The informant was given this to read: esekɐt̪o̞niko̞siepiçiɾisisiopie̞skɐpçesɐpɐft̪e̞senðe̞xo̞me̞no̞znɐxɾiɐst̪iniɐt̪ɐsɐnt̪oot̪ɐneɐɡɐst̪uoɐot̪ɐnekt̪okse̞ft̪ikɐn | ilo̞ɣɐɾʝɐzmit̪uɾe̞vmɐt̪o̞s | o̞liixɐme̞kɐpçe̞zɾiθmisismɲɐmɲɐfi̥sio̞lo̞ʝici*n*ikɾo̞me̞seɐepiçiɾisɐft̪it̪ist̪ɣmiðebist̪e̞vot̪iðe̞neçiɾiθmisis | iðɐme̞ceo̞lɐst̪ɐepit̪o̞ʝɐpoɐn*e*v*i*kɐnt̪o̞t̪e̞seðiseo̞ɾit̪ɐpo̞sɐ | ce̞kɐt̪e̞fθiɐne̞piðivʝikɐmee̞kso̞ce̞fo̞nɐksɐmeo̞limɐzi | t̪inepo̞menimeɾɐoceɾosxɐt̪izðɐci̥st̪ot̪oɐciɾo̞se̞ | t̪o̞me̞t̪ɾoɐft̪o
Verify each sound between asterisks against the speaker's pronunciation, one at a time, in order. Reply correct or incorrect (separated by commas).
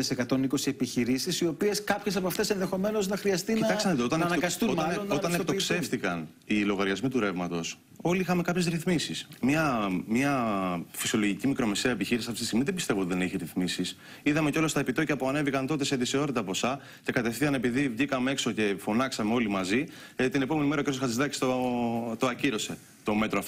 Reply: incorrect, correct, correct